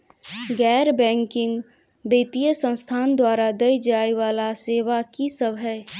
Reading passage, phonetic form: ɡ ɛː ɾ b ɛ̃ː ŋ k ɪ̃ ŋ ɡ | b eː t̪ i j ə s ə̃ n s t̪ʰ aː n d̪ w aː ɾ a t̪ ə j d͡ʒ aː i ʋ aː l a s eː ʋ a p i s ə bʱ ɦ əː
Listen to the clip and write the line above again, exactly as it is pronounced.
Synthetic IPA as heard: ɡ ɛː ɾ b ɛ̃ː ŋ k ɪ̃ ŋ ɡ | b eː t̪ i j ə s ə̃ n s t̪ʰ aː n d̪ w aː ɾ a d̪ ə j d͡ʒ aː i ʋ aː l a s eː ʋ a k i s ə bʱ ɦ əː